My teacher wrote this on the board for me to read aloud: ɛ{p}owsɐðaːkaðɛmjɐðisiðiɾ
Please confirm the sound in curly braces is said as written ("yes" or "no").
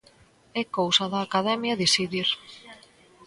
no